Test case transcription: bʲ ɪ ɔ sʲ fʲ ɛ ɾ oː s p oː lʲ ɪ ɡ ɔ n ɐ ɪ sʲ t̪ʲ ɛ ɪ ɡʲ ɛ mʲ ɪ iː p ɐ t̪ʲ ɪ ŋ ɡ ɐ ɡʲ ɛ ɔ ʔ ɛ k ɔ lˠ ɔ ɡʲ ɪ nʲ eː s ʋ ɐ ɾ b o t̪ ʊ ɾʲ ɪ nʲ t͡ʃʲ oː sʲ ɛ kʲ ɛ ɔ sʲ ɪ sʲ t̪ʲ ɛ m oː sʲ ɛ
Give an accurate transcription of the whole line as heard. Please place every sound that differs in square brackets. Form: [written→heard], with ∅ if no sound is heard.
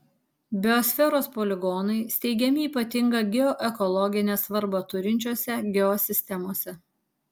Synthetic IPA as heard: bʲ ɪ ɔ sʲ fʲ ɛ ɾ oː s p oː lʲ ɪ ɡ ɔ n ɐ ɪ sʲ t̪ʲ ɛ ɪ ɡʲ ɛ mʲ ɪ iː p ɐ t̪ʲ ɪ ŋ ɡ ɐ ɡʲ ɛ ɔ ʔ ɛ k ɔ lˠ ɔ ɡʲ ɪ nʲ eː s ʋ ɐ ɾ b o t̪ ʊ ɾʲ ɪ nʲ t͡ʃʲ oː sʲ ɛ [kʲ→ɡʲ] ɛ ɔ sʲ ɪ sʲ t̪ʲ ɛ m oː sʲ ɛ